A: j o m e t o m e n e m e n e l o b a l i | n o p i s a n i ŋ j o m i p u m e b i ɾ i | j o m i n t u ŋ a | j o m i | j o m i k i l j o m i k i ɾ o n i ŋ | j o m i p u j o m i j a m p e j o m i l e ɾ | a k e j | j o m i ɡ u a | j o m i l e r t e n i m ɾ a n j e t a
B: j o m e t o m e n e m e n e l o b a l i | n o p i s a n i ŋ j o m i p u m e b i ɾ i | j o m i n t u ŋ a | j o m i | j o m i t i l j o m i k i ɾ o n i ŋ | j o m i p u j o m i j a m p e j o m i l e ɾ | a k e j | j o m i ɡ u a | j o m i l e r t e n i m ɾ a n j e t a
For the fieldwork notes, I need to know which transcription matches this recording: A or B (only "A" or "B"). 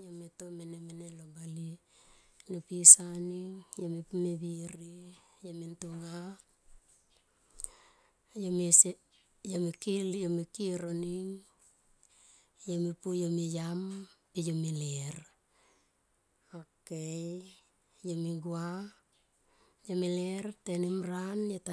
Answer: A